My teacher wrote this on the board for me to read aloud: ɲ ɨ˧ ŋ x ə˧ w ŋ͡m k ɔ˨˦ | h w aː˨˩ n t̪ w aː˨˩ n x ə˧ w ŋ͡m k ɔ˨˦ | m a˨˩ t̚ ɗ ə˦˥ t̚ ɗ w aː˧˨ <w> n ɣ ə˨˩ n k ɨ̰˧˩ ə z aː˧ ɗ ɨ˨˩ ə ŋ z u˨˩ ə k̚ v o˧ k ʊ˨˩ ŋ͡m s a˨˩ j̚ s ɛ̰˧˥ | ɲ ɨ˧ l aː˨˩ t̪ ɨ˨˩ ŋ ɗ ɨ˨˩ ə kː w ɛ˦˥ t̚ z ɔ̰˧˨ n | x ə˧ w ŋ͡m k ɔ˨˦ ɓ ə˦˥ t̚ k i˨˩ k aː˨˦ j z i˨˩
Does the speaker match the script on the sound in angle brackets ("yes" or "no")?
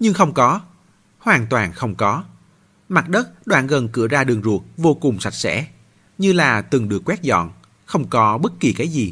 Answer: no